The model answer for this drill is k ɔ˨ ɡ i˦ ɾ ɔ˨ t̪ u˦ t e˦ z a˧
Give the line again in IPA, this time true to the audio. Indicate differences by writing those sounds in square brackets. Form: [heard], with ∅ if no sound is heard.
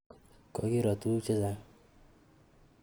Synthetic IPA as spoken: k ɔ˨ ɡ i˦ ɾ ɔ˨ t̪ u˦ [t͡ʃ] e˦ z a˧

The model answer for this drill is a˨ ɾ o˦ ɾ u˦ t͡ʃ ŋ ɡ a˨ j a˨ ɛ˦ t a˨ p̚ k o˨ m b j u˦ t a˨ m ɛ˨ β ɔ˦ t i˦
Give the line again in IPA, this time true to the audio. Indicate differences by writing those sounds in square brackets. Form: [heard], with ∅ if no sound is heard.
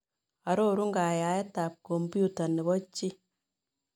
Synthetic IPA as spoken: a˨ ɾ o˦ ɾ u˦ [∅] ŋ ɡ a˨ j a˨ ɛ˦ t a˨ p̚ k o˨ m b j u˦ t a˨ [n] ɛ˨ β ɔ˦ [t͡ʃ] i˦

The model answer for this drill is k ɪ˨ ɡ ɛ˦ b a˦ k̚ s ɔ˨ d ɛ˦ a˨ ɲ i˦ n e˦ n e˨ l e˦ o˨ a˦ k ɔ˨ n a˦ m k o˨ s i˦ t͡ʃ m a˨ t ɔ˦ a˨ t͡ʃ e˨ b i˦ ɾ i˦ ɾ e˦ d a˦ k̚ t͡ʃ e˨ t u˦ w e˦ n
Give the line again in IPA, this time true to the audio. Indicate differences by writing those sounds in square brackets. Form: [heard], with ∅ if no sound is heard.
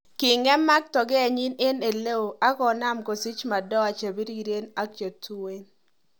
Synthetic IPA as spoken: k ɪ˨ [ŋ] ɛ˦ [m] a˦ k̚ [t] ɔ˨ [ɡ] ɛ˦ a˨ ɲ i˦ n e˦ n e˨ l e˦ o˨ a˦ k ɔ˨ n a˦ m k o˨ s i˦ t͡ʃ m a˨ [d] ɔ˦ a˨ t͡ʃ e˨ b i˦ ɾ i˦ ɾ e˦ [n] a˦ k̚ t͡ʃ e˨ t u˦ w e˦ n

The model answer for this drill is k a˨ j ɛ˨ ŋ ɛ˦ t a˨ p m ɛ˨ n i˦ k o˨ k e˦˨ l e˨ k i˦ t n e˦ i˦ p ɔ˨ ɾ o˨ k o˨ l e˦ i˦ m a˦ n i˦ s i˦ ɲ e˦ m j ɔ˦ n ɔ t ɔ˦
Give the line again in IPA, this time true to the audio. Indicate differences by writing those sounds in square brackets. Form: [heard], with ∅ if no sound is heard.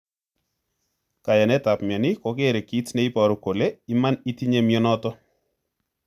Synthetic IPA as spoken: k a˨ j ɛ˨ [n] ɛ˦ t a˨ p m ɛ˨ n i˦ k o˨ k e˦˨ [ɾ] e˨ k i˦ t n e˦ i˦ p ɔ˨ ɾ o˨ k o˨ l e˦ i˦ m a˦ n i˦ [t] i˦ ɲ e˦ m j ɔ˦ n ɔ t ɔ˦

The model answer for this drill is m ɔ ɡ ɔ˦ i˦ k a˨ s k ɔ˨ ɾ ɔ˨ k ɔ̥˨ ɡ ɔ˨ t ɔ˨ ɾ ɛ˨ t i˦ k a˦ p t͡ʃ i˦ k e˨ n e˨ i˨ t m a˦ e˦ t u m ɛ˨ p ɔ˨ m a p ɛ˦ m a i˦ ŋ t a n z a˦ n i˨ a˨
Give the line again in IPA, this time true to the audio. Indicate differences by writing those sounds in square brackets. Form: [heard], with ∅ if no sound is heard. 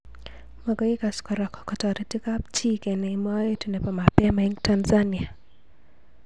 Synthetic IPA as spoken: m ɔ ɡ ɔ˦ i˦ k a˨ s k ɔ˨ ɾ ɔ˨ k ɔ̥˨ [k] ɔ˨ t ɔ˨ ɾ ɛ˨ t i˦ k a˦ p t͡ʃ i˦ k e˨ n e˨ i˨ [∅] m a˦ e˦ t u [n] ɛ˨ p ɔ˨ m a p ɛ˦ m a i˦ ŋ t a n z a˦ n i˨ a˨

